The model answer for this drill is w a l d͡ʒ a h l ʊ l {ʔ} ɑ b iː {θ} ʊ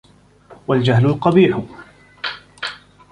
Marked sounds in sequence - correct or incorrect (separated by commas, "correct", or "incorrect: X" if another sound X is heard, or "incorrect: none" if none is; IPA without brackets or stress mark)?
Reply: incorrect: q, incorrect: ħ